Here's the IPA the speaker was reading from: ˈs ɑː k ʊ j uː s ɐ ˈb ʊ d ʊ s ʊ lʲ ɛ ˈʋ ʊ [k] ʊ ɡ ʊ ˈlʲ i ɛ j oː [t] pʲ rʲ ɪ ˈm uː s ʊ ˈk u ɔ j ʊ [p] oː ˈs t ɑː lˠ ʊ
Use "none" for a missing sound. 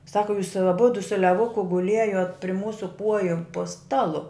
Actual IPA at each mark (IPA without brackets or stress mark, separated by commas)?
k, t, p